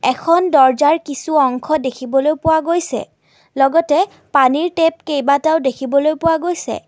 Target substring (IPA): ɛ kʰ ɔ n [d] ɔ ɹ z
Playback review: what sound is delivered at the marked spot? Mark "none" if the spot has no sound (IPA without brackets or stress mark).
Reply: d